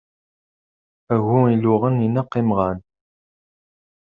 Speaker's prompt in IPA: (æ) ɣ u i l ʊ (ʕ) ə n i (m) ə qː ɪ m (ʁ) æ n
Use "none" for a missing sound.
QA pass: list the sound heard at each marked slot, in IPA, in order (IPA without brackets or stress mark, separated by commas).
æ, ʁ, n, ʁ